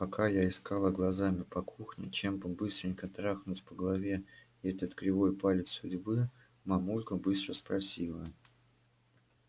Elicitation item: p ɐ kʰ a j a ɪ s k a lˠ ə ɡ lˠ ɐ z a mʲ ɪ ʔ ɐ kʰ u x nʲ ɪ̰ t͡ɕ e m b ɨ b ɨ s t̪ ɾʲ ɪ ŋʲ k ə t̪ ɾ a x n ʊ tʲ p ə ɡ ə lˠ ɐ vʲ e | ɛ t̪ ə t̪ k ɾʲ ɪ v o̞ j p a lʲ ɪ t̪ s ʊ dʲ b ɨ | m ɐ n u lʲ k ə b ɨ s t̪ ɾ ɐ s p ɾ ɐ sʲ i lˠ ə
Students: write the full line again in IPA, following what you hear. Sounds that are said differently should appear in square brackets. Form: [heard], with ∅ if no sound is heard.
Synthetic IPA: p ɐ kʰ a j a ɪ s k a lˠ ə ɡ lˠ ɐ z a mʲ ɪ [p] ɐ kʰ u x nʲ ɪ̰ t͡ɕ e m b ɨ b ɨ s t̪ ɾʲ ɪ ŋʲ k ə t̪ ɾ a x n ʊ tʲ p ə ɡ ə lˠ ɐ vʲ e | ɛ t̪ ə t̪ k ɾʲ ɪ v o̞ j p a lʲ ɪ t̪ s ʊ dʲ b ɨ | m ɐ [m] u lʲ k ə b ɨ s t̪ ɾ [ə] s p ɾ ɐ sʲ i lˠ ə